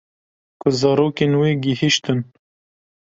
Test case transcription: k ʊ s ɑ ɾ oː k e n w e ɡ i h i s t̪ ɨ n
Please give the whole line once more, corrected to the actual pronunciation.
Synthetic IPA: k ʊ z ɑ ɾ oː k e n w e ɡ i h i ʃ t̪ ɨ n